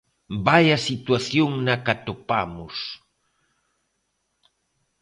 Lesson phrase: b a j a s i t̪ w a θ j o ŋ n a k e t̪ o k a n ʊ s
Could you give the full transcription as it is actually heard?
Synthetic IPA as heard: b a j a s i t̪ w a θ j o ŋ n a k a t̪ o p a m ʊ s